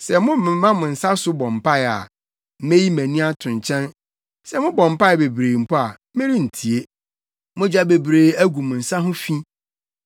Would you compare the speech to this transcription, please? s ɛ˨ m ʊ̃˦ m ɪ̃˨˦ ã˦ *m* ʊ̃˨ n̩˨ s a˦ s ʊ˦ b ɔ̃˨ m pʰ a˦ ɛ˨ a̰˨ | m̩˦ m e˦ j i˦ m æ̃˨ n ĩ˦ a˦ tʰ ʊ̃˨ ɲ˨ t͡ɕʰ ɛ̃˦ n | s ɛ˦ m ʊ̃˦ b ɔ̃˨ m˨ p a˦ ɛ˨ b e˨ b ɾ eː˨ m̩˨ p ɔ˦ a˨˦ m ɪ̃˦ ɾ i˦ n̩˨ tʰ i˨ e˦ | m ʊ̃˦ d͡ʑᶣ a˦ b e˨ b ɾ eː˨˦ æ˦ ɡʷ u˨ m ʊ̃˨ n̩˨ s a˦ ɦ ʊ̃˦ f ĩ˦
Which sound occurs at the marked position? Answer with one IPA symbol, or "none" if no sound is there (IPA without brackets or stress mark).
m